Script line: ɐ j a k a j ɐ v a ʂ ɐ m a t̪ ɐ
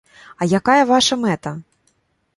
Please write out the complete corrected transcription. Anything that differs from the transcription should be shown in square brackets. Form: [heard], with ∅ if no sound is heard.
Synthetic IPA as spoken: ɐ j a k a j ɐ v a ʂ ɐ m [ɛ] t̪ ɐ